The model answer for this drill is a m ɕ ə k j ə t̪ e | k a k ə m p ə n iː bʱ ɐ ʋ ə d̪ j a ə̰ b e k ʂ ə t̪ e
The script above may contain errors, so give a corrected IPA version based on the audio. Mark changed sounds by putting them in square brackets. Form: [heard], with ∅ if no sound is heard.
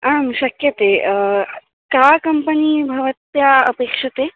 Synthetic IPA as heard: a m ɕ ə k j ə t̪ e | k a k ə m p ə n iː bʱ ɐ ʋ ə [t̪] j a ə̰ [p] e k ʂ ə t̪ e